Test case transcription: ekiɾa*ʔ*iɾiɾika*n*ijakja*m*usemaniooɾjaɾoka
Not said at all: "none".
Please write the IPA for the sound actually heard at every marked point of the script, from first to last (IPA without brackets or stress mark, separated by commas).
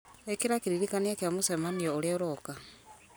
k, n, m